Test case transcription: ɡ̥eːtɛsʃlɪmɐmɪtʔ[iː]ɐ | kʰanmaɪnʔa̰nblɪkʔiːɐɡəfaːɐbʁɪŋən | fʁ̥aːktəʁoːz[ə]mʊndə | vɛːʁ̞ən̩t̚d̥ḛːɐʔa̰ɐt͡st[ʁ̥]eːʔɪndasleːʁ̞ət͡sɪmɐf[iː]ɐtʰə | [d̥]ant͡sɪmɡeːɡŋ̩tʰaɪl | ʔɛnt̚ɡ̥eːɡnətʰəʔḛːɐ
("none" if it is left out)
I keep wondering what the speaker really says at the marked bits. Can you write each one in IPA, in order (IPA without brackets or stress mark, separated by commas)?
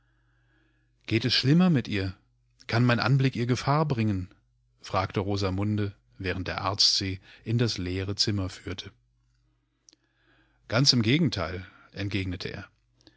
iː, a, z̥, yː, ɡ̥